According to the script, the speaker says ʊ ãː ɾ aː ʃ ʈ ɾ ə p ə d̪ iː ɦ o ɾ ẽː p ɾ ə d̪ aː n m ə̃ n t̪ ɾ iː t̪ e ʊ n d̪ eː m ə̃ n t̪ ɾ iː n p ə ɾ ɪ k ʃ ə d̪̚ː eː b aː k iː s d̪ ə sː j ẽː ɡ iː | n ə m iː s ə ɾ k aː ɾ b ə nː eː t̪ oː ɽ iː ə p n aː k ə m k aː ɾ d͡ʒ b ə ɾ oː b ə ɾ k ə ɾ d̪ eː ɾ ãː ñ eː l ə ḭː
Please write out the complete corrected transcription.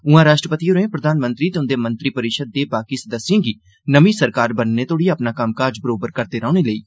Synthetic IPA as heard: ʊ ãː ɾ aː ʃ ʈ ɾ ə p ə t̪ iː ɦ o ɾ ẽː p ɾ ə d̪ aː n m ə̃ n t̪ ɾ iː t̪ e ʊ n d̪ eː m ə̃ n t̪ ɾ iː p ə ɾ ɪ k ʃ ə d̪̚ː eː b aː k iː s d̪ ə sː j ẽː ɡ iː | n ə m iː s ə ɾ k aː ɾ b ə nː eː t̪ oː ɽ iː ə p n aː k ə m k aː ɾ d͡ʒ b ə ɾ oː b ə ɾ k ə ɾ d̪ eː ɾ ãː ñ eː l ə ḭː

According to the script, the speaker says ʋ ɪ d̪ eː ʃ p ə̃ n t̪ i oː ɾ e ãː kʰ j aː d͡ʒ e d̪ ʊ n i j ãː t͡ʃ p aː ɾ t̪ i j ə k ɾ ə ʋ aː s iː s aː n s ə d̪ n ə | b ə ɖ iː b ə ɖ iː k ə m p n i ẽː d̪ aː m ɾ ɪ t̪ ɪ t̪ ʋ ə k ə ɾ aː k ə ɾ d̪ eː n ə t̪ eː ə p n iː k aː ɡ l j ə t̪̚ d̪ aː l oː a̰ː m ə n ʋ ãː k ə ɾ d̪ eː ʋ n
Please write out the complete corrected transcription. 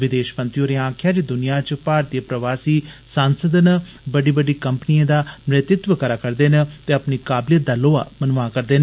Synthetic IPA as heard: ʋ ɪ d̪ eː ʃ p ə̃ n t̪ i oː ɾ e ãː kʰ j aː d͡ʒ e d̪ ʊ n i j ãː t͡ʃ p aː ɾ t̪ i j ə p ɾ ə ʋ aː s iː s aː n s ə d̪ n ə | b ə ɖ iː b ə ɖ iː k ə m p n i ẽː d̪ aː m ɾ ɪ t̪ ɪ t̪ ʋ ə k ə ɾ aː k ə ɾ d̪ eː n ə t̪ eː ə p n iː k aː b l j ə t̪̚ d̪ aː l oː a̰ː m ə n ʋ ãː k ə ɾ d̪ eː n

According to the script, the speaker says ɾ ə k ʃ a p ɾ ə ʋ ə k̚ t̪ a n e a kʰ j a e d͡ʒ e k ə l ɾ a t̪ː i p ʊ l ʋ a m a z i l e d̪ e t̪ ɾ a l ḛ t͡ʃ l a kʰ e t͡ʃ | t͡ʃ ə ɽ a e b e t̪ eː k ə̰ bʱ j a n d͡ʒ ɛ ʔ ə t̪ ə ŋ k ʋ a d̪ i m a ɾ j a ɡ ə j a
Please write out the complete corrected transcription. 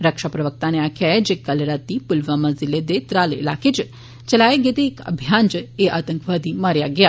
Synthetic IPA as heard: ɾ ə k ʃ a p ɾ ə ʋ ə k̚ t̪ a n e a kʰ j a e d͡ʒ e k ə l ɾ a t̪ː i p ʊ l ʋ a m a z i l e d̪ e t̪ ɾ a l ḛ l a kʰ e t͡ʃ | t͡ʃ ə l a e ɡ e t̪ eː k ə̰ bʱ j a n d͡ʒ e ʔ a t̪ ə ŋ k ʋ a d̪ i m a ɾ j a ɡ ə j a

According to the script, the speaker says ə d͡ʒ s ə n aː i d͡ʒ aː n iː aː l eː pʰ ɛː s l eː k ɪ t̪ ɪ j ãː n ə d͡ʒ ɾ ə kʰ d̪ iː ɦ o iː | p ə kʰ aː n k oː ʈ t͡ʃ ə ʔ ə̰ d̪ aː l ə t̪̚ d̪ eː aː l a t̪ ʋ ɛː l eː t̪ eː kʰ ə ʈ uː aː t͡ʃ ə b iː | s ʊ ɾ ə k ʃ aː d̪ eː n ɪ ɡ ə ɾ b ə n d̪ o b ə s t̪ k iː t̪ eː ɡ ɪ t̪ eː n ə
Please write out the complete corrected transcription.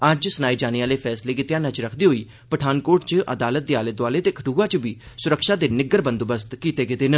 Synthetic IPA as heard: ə d͡ʒ s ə n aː i d͡ʒ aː n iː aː l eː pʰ ɛː s l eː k ɪ t̪ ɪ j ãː n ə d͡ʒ ɾ ə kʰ d̪ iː ɦ o iː | p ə ʈʰ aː n k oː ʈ t͡ʃ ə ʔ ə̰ d̪ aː l ə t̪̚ d̪ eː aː l ə t̪ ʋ aː l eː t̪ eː kʰ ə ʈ uː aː t͡ʃ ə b iː | s ʊ ɾ ə k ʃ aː d̪ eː n ɪ ɡ ə ɾ b ə n d̪ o b ə s t̪ k iː t̪ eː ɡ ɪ t̪ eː n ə

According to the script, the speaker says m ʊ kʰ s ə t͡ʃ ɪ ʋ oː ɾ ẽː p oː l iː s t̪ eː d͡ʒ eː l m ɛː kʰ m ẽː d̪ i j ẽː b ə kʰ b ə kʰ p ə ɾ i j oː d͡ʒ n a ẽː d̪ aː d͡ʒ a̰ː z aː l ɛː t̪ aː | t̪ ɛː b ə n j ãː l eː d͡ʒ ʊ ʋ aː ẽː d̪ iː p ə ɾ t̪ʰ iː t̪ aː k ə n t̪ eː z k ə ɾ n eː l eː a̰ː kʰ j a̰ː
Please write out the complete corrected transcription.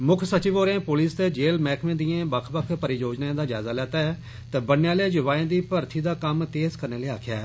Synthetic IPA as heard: m ʊ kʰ s ə t͡ʃ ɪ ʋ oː ɾ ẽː p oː l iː s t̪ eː d͡ʒ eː l m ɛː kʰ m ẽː d̪ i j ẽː b ə kʰ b ə kʰ p ə ɾ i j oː d͡ʒ n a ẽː d̪ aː d͡ʒ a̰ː z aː l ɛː t̪ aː | t̪ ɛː b ə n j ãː l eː d͡ʒ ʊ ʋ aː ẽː d̪ iː p ə ɾ t̪ʰ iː d̪ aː k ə m t̪ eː z k ə ɾ n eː l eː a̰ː kʰ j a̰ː

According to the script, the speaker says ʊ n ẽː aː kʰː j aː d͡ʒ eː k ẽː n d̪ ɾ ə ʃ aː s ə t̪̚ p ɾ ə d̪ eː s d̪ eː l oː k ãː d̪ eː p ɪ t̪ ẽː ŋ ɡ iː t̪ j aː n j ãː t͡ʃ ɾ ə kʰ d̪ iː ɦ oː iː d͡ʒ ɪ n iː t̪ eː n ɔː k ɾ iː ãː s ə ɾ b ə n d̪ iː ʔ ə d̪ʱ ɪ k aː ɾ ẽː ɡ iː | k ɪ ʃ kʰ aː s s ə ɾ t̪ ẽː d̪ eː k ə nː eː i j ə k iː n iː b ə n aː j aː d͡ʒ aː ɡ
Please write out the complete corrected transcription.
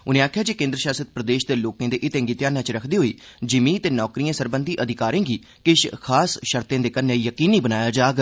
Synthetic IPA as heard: ʊ n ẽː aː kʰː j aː d͡ʒ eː k ẽː n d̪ ɾ ə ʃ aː s ə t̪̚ p ɾ ə d̪ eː ʃ d̪ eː l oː k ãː d̪ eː ʔ ɪ t̪ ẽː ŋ ɡ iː t̪ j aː n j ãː t͡ʃ ɾ ə kʰ d̪ iː ɦ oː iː d͡ʒ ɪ m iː t̪ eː n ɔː k ɾ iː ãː s ə ɾ b ə n d̪ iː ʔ ə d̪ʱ ɪ k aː ɾ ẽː ɡ iː | k ɪ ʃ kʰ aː s ʃ ə ɾ t̪ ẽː d̪ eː k ə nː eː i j ə k iː n iː b ə n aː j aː d͡ʒ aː ɡ

